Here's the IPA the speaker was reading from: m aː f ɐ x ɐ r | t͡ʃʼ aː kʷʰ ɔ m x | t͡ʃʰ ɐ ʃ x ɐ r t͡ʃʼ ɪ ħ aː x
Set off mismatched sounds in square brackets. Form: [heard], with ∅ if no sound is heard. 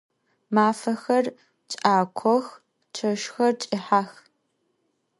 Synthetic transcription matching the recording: m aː f ɐ x ɐ r | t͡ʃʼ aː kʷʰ ɔ [∅] x | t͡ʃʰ ɐ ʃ x ɐ r t͡ʃʼ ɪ ħ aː x